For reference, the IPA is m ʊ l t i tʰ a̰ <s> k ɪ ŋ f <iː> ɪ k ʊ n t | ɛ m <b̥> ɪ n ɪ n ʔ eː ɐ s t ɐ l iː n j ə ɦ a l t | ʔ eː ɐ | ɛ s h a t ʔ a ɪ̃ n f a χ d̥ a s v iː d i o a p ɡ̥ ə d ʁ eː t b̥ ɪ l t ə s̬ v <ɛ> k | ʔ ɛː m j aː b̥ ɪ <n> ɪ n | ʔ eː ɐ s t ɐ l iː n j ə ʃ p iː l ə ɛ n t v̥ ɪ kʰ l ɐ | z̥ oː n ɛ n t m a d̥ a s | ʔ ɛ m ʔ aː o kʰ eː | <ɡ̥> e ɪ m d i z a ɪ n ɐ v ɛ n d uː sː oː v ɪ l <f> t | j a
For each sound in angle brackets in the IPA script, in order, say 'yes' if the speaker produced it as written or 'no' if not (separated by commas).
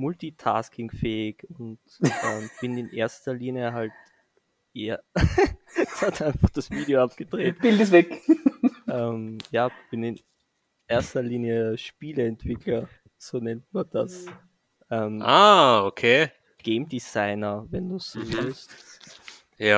yes, no, yes, yes, yes, yes, no